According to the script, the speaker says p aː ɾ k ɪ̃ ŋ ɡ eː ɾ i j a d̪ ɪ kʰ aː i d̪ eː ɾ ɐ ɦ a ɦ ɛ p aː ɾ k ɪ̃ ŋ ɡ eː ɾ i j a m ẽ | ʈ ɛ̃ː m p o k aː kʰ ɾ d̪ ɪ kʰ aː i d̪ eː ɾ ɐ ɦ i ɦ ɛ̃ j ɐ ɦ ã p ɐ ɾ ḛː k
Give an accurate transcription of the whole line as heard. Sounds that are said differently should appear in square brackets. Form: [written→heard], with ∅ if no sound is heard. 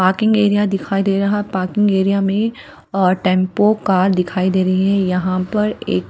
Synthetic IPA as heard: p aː ɾ k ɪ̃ ŋ ɡ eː ɾ i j a d̪ ɪ kʰ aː i d̪ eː ɾ ɐ ɦ a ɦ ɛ p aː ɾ k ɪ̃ ŋ ɡ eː ɾ i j a m ẽ | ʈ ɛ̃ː m p o k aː [kʰ→∅] ɾ d̪ ɪ kʰ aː i d̪ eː ɾ ɐ ɦ i ɦ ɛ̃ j ɐ ɦ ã p ɐ ɾ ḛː k

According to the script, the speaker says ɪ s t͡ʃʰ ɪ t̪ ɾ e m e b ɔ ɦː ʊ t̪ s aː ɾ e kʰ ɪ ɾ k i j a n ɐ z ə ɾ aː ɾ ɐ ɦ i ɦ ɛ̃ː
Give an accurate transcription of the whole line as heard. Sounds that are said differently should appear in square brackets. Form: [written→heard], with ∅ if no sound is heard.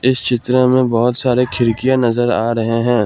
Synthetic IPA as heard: ɪ s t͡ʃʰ ɪ t̪ ɾ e m [e→ẽ] b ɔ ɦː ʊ t̪ s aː ɾ e kʰ ɪ ɾ k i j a n ɐ z ə ɾ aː ɾ ɐ ɦ [i→e] ɦ ɛ̃ː

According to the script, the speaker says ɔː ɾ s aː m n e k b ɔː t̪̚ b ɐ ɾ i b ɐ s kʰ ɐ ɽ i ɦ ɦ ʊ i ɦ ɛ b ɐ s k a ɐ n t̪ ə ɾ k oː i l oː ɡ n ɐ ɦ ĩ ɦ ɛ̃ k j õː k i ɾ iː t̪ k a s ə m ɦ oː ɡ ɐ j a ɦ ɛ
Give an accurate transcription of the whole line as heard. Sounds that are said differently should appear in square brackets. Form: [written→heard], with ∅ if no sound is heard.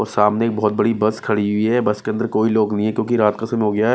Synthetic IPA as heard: ɔː ɾ s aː m n e k b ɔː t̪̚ b ɐ [ɾ→ɽ] i b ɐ s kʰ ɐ ɽ i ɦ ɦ ʊ i ɦ ɛ b ɐ s k [a→e] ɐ n [t̪→d̪] ə ɾ k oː i l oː ɡ n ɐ ɦ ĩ ɦ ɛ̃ k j õː k i ɾ [iː→aː] t̪ k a s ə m ɦ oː ɡ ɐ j a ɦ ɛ

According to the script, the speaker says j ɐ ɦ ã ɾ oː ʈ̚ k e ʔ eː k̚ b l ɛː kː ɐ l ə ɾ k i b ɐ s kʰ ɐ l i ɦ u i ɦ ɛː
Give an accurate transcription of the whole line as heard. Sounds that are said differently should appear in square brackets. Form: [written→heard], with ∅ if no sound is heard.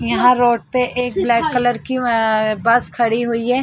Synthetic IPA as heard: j ɐ ɦ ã ɾ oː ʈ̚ [k→p] e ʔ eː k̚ b l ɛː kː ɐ l ə ɾ k i b ɐ s kʰ ɐ [l→ɽ] i ɦ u i ɦ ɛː

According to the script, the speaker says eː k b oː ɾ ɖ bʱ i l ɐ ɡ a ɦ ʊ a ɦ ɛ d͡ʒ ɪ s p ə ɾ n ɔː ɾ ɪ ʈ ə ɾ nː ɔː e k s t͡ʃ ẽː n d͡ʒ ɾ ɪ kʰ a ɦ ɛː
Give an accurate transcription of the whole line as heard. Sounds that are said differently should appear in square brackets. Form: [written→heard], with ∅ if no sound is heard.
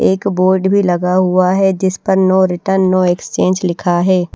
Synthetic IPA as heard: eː k b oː ɾ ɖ bʱ i l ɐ ɡ a ɦ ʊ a ɦ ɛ d͡ʒ ɪ s p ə ɾ n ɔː ɾ ɪ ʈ ə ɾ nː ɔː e k s t͡ʃ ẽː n d͡ʒ [ɾ→l] ɪ kʰ a ɦ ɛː

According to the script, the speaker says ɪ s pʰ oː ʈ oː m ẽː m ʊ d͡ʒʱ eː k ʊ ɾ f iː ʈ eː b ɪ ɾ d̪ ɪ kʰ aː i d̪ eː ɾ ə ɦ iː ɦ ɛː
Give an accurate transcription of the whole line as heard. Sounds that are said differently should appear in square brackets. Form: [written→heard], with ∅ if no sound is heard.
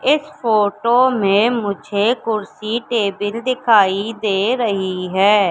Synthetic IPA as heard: ɪ s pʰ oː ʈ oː m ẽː m ʊ d͡ʒʱ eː k ʊ ɾ [f→s] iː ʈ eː b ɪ [ɾ→l] d̪ ɪ kʰ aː i d̪ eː ɾ ə ɦ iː ɦ ɛː

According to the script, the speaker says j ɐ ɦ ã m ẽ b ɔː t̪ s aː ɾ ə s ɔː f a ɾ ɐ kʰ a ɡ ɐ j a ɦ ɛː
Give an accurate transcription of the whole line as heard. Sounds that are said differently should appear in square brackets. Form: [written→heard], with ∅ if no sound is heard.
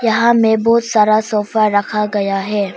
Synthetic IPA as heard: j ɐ ɦ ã m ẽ b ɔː t̪ s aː ɾ [ə→a] s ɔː f a ɾ ɐ kʰ a ɡ ɐ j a ɦ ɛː

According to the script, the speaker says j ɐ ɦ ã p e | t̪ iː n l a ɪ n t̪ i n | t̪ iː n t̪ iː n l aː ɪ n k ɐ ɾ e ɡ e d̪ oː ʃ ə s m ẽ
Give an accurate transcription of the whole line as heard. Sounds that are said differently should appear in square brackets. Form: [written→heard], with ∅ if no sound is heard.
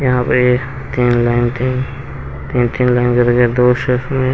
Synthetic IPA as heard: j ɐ ɦ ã p e | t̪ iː n l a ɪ n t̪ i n | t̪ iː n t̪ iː n l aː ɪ n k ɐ ɾ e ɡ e d̪ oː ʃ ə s m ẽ

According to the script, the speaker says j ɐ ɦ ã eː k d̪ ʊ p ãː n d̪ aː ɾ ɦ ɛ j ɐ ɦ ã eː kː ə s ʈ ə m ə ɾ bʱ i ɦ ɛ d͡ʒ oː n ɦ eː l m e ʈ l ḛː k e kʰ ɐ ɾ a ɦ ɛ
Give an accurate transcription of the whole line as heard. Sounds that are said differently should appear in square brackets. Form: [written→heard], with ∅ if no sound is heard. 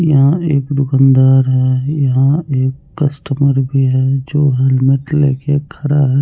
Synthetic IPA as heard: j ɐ ɦ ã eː k d̪ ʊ [p→k] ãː n d̪ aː ɾ ɦ ɛ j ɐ ɦ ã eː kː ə s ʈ ə m ə ɾ bʱ i ɦ ɛ d͡ʒ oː [n→∅] ɦ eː l m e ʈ l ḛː k e kʰ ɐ ɾ a ɦ ɛ

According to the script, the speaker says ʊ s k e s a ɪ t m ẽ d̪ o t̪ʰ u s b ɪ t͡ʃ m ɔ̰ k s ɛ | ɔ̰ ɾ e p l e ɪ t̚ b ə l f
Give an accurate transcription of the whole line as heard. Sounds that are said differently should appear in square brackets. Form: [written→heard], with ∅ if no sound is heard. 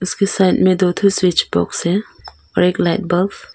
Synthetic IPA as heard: ʊ s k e s a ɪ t m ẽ d̪ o t̪ʰ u s [b→w] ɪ t͡ʃ [m→b] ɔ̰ k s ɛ | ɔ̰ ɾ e [p→k] l [e→a] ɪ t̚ b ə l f

